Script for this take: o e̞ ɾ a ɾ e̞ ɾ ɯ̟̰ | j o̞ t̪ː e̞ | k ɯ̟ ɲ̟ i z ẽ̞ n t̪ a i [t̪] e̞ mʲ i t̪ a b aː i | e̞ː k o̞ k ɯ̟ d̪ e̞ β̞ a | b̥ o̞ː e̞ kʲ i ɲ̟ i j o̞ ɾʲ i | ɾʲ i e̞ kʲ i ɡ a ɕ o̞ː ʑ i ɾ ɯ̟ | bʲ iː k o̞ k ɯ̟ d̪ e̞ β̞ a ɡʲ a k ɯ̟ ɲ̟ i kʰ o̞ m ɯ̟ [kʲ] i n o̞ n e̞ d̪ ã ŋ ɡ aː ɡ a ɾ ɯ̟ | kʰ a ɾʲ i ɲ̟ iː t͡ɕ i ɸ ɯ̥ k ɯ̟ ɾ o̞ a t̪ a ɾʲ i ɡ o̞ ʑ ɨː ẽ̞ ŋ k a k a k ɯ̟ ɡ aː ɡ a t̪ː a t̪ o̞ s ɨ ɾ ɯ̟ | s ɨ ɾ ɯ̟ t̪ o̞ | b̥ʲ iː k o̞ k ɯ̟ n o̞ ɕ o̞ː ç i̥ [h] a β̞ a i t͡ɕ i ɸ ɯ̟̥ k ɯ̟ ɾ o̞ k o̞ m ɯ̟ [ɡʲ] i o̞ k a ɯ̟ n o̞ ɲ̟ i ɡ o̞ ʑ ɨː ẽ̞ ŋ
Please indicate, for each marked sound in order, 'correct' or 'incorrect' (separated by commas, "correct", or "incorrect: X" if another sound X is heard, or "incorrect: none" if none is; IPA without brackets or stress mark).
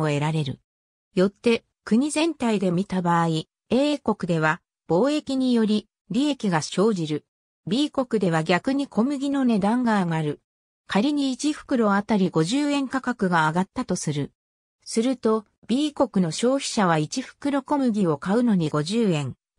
incorrect: d̪, incorrect: ɡʲ, incorrect: ɕ, correct